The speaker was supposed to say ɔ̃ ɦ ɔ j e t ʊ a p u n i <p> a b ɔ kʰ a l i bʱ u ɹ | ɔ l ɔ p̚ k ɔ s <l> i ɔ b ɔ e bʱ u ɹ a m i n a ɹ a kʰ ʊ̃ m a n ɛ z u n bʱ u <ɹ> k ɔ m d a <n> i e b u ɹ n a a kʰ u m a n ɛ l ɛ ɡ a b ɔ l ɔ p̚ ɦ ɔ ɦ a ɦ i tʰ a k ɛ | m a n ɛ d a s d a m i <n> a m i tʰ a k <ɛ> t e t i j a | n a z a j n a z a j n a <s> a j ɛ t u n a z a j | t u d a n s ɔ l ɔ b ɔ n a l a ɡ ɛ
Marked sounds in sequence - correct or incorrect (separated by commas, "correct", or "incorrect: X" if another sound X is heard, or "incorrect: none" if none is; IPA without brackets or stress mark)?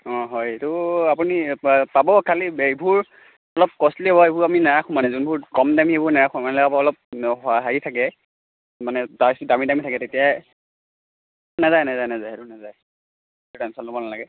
correct, correct, correct, incorrect: m, incorrect: d, correct, incorrect: z